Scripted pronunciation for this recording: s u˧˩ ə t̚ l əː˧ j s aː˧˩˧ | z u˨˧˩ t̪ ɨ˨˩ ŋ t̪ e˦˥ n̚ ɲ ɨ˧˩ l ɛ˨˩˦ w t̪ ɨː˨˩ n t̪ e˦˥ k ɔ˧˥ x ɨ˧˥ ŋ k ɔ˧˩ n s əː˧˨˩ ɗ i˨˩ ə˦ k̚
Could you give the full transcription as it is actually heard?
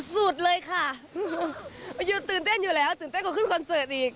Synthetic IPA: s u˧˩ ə t̚ l əː˧ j x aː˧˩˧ | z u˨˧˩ t̪ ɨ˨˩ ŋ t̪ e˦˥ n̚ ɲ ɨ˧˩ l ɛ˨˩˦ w t̪ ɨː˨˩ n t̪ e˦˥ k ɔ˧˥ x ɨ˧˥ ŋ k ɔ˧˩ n s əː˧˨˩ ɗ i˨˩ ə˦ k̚